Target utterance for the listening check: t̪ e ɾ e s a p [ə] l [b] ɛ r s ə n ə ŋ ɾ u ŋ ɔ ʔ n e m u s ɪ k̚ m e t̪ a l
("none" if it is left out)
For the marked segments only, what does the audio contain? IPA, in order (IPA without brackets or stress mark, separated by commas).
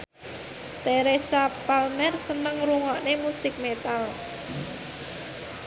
a, m